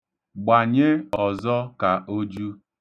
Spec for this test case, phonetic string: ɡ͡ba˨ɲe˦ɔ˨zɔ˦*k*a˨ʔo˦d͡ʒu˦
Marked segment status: correct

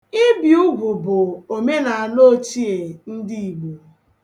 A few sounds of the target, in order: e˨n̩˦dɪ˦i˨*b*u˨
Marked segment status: incorrect: ɡ͡b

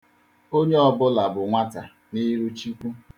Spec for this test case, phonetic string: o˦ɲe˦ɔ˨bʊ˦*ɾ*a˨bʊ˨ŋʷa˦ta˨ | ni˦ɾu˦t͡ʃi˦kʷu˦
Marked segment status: incorrect: l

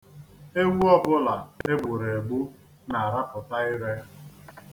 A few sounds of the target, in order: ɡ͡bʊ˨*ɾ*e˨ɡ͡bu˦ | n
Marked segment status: correct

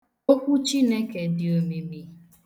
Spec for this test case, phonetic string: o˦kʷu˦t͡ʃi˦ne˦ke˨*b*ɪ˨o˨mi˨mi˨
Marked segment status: incorrect: d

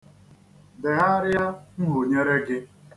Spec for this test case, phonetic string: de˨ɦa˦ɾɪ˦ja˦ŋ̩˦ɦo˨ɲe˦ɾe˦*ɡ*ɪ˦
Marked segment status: correct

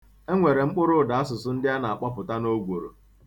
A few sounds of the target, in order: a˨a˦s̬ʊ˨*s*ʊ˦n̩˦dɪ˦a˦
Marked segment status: correct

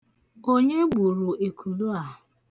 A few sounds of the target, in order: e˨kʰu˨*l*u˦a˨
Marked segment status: correct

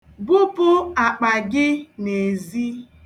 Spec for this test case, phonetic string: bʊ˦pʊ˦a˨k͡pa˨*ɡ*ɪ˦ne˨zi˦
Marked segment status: correct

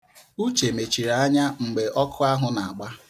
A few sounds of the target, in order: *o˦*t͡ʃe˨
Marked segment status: incorrect: u˦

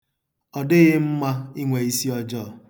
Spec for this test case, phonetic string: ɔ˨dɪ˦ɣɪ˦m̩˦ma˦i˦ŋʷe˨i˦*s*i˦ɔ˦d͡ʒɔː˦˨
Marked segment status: correct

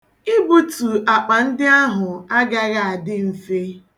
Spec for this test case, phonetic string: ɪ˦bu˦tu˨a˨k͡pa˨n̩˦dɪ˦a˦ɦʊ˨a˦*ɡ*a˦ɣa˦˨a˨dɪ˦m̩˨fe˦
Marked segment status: correct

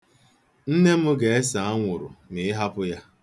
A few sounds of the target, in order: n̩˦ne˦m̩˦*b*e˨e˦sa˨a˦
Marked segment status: incorrect: ɡ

